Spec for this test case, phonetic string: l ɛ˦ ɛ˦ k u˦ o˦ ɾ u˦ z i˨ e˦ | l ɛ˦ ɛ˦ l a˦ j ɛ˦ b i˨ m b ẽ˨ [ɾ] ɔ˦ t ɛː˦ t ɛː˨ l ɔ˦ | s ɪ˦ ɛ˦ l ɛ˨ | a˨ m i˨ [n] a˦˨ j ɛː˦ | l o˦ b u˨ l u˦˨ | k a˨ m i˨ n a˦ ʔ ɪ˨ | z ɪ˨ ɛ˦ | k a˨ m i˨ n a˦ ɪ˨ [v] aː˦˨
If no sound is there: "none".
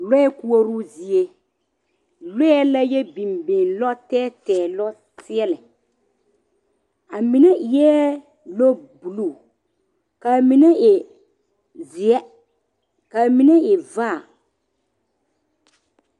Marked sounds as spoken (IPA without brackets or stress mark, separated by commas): l, n, v